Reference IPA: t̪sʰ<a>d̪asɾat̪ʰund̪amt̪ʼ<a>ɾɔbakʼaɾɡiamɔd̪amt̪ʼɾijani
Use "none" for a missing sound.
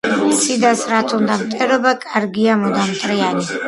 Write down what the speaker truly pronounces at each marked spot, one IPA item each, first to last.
i, ɛ

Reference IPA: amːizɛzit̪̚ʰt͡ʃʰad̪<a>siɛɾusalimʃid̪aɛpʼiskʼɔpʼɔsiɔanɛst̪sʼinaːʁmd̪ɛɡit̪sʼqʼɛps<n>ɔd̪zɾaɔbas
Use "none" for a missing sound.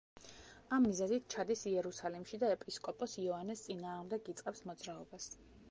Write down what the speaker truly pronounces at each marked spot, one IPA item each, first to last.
i, m

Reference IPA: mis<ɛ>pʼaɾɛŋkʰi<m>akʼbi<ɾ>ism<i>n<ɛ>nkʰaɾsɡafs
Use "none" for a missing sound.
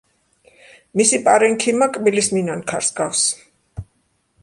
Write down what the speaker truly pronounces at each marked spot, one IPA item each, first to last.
i, m, l, i, a

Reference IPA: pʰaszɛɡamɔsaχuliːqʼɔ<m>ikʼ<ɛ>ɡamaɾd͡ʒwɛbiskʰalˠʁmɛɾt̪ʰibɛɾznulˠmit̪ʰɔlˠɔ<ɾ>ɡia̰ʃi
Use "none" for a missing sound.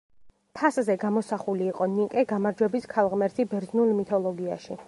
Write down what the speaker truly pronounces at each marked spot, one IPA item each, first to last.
n, ɛ, none

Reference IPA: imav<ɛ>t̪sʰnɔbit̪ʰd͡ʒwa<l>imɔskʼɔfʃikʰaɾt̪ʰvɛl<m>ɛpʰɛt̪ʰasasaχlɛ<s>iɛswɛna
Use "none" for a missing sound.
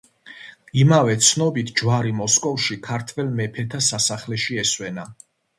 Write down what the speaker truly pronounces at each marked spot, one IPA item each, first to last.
ɛ, ɾ, m, ʃ

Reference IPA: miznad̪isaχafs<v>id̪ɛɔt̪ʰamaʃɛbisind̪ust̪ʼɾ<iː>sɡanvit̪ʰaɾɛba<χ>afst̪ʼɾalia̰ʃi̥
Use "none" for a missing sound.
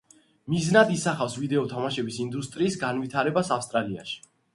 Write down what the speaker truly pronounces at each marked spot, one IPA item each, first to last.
v, iː, s

